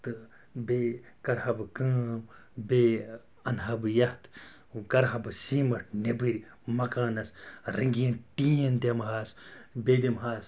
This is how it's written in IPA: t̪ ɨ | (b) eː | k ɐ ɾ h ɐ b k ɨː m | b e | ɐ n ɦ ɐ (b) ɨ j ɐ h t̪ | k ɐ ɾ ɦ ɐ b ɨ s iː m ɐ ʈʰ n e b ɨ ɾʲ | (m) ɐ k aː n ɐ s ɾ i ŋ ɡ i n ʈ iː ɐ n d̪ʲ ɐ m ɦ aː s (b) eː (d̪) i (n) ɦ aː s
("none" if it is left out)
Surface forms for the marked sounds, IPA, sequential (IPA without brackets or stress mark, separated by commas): b, b, m, b, d̪, m